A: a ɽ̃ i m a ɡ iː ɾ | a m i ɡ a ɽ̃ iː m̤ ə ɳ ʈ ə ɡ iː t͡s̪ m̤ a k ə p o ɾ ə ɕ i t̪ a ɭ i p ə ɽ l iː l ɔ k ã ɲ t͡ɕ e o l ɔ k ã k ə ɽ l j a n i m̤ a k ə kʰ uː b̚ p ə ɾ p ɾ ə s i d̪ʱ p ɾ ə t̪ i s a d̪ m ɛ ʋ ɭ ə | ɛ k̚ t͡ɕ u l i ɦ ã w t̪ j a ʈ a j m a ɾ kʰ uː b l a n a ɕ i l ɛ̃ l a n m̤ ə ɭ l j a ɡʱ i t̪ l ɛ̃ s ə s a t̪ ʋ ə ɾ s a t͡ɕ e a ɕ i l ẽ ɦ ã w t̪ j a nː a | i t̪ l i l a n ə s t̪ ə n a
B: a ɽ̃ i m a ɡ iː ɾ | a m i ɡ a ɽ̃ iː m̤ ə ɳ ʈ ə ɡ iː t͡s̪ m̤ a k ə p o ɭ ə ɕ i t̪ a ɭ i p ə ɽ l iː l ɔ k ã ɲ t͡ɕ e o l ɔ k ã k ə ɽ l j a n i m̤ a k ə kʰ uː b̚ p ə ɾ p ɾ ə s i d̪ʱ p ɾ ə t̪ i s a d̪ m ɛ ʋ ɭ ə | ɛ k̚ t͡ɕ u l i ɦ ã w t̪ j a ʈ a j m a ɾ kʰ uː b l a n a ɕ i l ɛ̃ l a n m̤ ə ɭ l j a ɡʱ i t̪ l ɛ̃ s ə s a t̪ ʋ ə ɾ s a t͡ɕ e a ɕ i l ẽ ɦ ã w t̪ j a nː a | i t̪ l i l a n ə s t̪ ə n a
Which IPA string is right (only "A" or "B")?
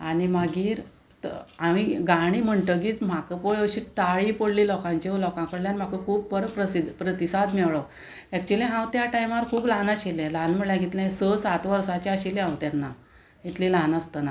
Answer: B